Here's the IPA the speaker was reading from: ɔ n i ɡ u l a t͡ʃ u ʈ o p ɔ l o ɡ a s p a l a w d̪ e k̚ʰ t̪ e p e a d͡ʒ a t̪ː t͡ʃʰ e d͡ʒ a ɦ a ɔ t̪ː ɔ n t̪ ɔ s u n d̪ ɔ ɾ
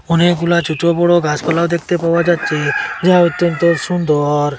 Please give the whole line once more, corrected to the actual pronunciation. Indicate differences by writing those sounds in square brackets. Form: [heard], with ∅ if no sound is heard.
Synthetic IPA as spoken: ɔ n [e] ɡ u l a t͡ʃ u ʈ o [b] ɔ [ɽ] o ɡ a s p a l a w d̪ e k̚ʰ t̪ e p [a] a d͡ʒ a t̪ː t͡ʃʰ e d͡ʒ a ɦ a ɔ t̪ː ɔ n t̪ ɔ s u n d̪ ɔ ɾ